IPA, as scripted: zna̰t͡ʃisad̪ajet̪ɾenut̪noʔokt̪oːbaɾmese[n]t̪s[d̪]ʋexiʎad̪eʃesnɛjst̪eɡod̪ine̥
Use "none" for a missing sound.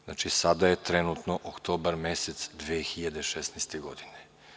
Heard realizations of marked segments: none, d̪

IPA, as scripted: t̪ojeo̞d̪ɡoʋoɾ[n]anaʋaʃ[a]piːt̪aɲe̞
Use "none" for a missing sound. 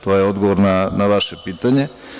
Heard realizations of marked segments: n, e

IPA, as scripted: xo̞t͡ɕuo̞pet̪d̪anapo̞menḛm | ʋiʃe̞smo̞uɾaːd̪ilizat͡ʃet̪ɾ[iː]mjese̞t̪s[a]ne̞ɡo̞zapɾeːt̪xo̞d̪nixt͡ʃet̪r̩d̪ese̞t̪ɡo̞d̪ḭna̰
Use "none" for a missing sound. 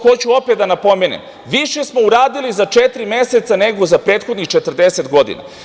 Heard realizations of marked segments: i, a

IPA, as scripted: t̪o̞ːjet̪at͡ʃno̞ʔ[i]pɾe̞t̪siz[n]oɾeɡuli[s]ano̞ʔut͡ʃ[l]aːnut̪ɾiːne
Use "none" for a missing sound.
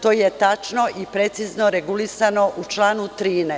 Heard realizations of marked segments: i, n, s, l

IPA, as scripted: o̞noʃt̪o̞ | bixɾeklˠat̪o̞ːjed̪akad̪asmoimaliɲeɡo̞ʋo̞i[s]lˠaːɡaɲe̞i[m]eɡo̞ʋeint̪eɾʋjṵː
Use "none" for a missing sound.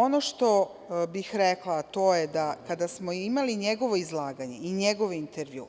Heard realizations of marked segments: z, ɲ

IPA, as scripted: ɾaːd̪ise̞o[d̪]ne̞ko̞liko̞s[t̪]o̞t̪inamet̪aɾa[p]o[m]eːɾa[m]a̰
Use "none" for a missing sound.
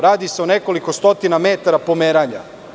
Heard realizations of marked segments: none, t̪, p, m, ɲ

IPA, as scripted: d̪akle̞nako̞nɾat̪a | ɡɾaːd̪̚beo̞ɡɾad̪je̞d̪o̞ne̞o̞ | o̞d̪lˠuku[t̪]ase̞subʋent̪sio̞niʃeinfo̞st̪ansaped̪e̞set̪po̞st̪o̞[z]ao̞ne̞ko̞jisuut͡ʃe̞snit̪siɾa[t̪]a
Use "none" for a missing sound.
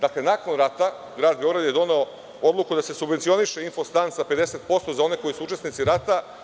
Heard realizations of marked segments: d̪, z, t̪

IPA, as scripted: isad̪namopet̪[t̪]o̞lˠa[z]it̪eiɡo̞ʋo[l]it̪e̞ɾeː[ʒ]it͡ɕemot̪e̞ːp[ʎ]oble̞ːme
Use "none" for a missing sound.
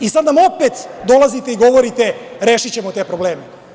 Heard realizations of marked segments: d̪, z, ɾ, ʃ, ɾ

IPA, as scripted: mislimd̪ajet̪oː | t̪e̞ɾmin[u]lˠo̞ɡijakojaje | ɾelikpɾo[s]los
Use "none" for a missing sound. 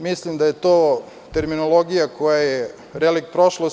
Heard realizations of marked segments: o, ʃ

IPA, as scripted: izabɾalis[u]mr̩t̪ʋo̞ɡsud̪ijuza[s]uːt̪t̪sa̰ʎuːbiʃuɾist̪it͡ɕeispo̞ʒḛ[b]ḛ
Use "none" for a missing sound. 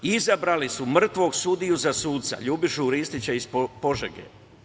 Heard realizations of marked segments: u, s, ɡ

